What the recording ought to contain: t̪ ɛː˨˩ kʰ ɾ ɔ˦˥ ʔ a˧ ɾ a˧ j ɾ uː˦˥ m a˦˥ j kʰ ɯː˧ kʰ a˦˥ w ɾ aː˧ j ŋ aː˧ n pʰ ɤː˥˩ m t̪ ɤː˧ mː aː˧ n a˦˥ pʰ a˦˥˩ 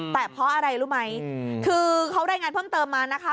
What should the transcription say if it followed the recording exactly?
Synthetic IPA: t̪ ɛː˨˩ pʰ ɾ ɔ˦˥ ʔ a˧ ɾ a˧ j ɾ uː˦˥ m a˦˥ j kʰ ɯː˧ kʰ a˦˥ w ɾ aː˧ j ŋ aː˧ n pʰ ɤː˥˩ m t̪ ɤː˧ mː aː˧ n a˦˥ kʰ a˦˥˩